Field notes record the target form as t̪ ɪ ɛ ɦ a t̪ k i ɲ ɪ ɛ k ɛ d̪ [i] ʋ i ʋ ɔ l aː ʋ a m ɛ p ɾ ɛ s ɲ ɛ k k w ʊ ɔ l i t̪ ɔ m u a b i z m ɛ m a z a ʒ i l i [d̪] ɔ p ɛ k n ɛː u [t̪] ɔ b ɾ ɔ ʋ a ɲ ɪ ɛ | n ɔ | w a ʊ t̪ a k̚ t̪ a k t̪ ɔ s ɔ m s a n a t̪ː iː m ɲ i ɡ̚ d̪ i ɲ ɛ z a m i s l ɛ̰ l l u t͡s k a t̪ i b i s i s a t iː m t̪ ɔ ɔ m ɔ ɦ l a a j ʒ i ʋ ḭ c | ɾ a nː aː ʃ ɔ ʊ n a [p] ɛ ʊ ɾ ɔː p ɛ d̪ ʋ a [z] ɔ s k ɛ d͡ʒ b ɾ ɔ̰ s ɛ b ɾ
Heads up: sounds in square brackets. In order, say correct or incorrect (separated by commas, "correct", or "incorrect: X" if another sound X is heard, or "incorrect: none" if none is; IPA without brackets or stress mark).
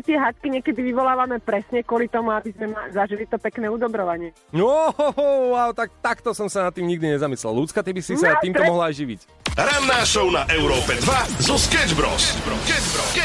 correct, incorrect: t̪, incorrect: d̪, incorrect: ʔ, correct